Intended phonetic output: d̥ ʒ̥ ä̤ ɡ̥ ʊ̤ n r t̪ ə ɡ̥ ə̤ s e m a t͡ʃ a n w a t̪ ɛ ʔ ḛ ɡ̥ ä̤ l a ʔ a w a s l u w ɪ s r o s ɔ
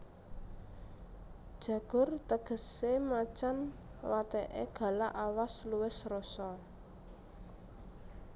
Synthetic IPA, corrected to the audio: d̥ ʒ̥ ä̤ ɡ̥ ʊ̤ r t̪ ə ɡ̥ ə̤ s e m a t͡ʃ a n w a t̪ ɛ ʔ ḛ ɡ̥ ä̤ l a ʔ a w a s l u w ɪ s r o s ɔ